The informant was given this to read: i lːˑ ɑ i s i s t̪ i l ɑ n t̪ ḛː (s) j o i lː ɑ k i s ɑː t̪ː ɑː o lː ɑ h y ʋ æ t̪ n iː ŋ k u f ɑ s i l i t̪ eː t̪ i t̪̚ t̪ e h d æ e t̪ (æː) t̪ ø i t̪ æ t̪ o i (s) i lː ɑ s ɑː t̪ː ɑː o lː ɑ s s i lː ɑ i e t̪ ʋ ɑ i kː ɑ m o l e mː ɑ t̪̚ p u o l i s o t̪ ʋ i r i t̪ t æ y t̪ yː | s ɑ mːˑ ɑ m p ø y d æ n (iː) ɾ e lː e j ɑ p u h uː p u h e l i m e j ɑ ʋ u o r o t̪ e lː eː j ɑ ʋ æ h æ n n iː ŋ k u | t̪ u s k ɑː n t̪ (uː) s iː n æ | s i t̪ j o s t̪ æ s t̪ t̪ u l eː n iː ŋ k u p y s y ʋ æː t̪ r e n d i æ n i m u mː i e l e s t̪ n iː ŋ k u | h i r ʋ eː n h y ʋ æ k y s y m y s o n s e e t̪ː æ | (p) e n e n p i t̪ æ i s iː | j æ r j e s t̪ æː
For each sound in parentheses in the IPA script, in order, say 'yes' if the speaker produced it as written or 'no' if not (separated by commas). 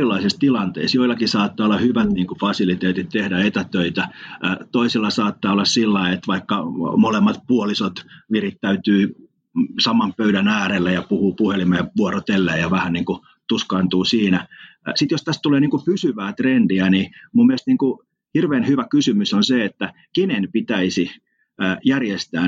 yes, no, yes, no, yes, no